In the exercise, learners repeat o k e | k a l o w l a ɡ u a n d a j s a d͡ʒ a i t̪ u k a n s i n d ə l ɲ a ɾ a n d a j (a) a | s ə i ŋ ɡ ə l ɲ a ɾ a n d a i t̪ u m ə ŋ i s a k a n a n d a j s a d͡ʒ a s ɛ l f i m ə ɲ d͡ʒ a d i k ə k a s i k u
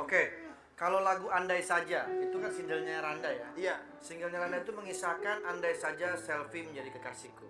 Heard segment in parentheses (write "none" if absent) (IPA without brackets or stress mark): a